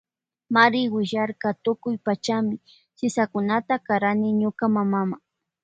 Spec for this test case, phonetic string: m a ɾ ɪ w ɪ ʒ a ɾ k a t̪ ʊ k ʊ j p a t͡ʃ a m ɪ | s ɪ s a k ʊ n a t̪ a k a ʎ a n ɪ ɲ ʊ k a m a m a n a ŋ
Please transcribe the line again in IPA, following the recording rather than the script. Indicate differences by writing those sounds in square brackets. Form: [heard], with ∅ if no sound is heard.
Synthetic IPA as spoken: m a ɾ ɪ w ɪ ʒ a ɾ k a t̪ ʊ k ʊ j p a t͡ʃ a m ɪ | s ɪ s a k ʊ n a t̪ a k a [ɾ] a n ɪ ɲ ʊ k a m a m a [m] a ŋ